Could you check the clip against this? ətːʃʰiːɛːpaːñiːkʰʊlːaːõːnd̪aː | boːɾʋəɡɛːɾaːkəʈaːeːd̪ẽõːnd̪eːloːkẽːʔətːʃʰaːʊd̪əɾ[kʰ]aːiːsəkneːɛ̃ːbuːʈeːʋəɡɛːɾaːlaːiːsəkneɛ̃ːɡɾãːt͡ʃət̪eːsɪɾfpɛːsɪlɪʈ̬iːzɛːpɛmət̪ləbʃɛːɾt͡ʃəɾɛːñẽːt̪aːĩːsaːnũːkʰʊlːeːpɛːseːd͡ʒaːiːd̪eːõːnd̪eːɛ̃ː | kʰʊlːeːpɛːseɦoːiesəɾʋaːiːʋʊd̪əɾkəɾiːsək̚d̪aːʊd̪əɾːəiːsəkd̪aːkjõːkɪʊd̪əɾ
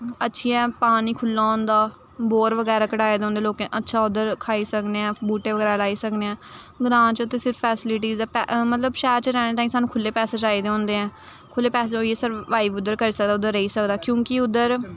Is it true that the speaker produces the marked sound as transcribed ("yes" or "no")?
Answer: yes